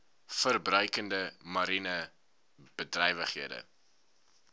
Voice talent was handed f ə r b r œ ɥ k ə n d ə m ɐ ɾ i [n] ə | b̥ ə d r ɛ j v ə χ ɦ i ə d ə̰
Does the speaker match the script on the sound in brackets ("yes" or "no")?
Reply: yes